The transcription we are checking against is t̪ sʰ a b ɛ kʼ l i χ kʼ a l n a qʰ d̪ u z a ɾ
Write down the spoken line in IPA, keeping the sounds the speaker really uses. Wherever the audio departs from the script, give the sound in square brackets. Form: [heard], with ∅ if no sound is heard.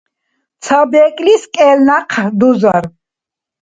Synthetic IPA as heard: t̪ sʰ a b ɛ kʼ l i [s] kʼ [ɛ] l n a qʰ d̪ u z a ɾ